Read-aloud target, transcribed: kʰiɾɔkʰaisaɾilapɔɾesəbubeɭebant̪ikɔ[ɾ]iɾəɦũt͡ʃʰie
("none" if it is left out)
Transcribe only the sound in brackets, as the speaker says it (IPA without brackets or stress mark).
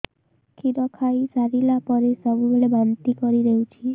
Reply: ɾ